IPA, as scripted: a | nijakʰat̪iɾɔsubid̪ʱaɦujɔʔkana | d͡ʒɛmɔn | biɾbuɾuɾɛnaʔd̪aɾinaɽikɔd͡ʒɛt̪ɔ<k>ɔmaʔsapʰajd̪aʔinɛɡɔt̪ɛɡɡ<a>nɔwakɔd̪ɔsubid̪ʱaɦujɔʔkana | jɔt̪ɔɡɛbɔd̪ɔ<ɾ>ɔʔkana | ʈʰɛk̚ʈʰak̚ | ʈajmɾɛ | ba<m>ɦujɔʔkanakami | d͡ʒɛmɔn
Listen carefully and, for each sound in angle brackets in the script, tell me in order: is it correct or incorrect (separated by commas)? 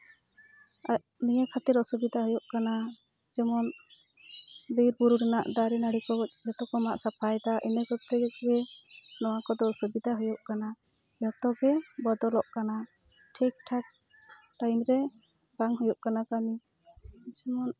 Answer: correct, incorrect, incorrect, incorrect